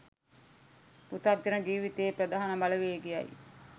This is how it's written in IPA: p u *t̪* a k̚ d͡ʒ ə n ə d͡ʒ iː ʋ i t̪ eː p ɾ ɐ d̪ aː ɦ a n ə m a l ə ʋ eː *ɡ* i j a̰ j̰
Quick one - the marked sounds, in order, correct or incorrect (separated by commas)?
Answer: correct, correct